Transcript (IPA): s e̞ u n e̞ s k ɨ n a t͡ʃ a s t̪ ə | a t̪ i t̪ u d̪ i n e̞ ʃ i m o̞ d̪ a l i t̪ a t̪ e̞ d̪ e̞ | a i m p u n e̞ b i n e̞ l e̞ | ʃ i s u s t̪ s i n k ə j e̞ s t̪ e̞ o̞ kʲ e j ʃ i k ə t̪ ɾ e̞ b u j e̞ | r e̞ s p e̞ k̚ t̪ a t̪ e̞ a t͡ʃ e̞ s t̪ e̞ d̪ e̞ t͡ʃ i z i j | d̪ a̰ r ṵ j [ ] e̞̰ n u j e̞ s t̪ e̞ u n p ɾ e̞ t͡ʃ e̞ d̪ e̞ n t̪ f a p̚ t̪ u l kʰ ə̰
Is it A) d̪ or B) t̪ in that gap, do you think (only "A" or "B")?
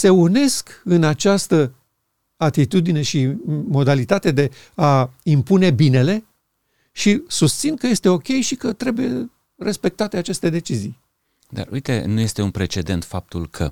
B